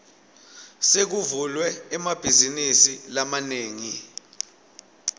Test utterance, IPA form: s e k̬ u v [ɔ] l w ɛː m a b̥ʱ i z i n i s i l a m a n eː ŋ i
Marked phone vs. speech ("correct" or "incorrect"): incorrect